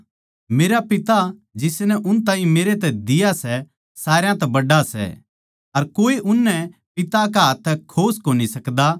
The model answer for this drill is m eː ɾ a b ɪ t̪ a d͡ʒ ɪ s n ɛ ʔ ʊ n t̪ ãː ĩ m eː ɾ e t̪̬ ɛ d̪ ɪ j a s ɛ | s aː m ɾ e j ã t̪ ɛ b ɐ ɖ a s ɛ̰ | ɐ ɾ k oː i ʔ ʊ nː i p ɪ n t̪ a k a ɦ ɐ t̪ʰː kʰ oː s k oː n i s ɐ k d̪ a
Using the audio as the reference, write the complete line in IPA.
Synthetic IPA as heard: m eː ɾ a p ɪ t̪ a d͡ʒ ɪ s n ɛ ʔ ʊ n t̪ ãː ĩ m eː ɾ e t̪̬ ɛ d̪ ɪ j a s ɛ | s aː ɾ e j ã t̪ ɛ b ɐ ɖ a s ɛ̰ | ɐ ɾ k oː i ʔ ʊ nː ɛ p ɪ t̪ a k a ɦ ɐ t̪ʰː kʰ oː s k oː n i s ɐ k d̪ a